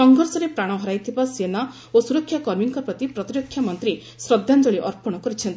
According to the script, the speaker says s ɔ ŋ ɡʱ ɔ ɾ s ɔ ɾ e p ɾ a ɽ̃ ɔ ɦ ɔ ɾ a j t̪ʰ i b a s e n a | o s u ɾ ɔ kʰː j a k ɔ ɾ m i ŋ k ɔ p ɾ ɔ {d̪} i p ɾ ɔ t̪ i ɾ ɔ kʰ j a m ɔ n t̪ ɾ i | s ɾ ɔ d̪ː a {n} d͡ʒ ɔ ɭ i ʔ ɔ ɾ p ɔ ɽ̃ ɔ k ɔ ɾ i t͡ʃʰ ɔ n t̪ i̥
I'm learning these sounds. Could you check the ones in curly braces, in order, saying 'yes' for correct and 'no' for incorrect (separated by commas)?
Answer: no, yes